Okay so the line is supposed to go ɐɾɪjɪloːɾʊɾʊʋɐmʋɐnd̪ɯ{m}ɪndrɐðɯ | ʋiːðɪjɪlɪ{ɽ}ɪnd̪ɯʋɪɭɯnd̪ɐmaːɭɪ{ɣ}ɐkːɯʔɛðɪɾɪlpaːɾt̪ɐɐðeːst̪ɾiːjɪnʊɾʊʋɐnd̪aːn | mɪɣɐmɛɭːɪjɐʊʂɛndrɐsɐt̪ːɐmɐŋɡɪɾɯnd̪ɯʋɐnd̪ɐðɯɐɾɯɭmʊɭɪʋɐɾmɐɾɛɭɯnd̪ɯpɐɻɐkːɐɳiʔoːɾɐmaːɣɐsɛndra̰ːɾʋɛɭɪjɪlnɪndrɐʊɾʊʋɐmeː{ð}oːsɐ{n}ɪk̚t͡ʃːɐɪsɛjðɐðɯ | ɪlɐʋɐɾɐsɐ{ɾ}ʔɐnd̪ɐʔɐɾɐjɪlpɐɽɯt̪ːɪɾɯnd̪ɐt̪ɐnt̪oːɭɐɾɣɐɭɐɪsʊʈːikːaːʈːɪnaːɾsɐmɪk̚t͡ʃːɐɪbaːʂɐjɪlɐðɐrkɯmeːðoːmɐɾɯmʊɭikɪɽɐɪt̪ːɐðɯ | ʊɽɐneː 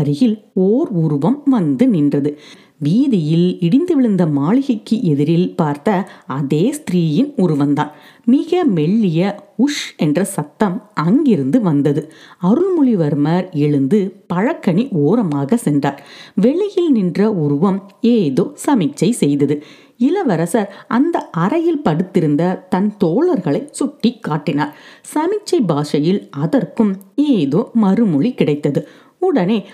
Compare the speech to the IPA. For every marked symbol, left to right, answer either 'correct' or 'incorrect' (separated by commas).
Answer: incorrect, correct, correct, correct, incorrect, correct